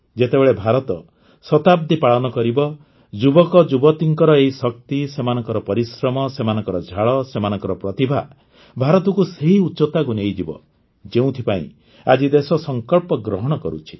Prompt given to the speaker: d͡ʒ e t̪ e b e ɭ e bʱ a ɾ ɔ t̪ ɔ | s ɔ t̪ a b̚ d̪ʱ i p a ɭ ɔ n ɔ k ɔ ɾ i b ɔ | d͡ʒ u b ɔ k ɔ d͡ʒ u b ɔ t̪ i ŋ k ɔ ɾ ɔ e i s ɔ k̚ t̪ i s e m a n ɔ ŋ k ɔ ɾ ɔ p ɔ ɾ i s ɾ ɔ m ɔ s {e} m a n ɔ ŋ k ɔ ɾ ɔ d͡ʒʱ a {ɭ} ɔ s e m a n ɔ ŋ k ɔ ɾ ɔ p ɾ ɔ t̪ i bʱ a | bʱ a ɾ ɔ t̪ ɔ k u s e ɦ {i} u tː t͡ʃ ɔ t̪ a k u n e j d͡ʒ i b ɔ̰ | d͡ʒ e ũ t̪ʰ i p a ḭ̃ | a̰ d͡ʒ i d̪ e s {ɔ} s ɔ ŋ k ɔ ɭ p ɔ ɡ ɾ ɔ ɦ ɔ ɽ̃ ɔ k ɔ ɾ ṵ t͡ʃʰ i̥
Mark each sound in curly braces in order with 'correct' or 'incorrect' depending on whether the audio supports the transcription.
correct, correct, correct, correct

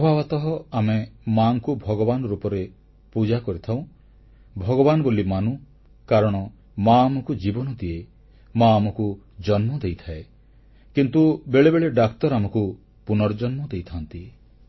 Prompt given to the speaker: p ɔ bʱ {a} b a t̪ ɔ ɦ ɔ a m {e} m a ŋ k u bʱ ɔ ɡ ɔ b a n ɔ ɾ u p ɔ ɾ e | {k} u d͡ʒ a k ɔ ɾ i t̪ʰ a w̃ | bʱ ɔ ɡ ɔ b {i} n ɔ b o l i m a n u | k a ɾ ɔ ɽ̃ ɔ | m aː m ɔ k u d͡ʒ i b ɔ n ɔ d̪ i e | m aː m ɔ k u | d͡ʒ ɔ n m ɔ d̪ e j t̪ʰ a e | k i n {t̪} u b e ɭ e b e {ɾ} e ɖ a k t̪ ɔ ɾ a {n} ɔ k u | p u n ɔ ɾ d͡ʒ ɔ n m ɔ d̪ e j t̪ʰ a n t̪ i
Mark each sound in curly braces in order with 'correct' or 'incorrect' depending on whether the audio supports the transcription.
correct, correct, incorrect, incorrect, correct, incorrect, incorrect

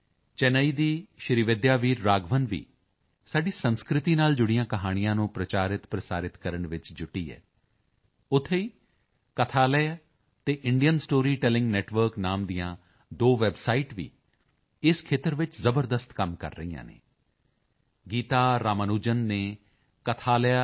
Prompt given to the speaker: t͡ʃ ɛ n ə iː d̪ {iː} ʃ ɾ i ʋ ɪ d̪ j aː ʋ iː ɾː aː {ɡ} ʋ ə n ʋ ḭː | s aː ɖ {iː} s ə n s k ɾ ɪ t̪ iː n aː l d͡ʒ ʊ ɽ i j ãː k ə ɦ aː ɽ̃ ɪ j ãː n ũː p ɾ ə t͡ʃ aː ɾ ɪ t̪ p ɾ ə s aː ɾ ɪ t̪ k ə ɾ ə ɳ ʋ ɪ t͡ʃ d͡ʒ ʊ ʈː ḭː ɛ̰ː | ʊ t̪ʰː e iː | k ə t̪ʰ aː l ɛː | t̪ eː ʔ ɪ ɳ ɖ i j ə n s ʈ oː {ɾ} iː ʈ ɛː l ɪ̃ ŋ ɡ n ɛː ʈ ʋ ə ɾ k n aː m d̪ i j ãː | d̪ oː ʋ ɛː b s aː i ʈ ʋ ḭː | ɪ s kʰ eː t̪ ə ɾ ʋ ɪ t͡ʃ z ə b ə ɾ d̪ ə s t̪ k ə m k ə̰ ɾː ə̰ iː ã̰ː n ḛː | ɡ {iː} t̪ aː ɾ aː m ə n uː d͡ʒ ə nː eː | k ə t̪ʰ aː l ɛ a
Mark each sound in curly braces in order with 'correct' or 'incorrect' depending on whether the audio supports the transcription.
correct, correct, correct, correct, correct

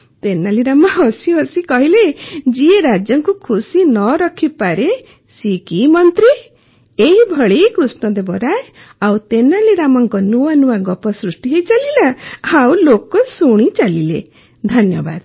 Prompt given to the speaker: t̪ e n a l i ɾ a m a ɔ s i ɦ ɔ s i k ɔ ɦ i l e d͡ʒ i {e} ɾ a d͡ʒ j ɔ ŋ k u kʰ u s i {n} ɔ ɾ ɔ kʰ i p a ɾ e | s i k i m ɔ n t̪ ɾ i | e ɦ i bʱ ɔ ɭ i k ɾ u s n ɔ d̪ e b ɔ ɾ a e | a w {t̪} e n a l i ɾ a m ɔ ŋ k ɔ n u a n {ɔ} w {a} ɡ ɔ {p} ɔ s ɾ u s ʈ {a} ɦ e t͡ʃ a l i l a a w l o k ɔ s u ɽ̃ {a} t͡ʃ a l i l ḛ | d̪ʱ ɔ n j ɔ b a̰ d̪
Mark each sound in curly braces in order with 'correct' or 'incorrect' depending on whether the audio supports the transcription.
correct, correct, correct, incorrect, correct, correct, incorrect, incorrect

